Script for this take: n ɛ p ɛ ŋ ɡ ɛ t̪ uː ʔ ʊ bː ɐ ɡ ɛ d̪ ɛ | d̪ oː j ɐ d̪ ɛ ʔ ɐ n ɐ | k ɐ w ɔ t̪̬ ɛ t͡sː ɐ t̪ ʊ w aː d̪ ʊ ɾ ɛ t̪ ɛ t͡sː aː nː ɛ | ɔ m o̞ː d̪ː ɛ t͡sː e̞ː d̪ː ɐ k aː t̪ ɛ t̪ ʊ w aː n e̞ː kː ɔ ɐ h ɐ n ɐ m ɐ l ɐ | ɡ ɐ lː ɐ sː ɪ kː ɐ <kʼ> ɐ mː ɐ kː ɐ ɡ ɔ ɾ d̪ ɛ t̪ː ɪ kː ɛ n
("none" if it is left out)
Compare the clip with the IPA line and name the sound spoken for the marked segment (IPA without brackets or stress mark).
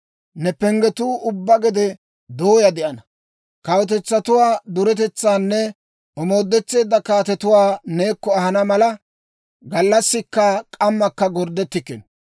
kʼ